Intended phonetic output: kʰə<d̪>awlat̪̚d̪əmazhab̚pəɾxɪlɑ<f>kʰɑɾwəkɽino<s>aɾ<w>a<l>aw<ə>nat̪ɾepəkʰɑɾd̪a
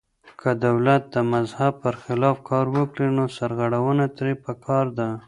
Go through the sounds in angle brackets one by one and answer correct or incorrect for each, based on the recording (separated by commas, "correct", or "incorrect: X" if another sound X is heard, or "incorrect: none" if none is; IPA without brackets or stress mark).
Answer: correct, correct, correct, incorrect: ɣ, incorrect: ɽ, correct